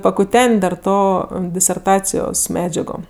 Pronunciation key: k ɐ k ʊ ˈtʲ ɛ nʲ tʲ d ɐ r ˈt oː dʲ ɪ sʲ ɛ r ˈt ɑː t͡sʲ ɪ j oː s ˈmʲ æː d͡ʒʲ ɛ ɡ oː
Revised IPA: p ɐ k ʊ ˈtʲ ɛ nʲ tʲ d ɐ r ˈt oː dʲ ɪ sʲ ɛ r ˈt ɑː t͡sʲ ɪ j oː s ˈmʲ æː d͡ʒʲ ɛ ɡ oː